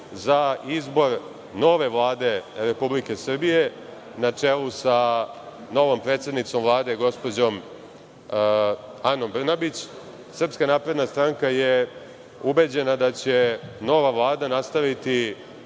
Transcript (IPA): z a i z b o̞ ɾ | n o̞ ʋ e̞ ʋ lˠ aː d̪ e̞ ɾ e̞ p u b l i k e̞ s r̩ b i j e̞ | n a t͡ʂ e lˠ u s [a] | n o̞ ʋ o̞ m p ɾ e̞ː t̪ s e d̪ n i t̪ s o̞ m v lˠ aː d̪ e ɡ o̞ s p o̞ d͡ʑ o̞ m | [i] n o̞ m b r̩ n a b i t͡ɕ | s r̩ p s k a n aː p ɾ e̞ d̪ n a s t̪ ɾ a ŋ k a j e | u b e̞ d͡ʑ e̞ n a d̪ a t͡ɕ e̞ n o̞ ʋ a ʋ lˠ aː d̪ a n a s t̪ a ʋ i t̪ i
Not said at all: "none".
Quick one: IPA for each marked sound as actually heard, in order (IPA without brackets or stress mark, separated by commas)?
a, a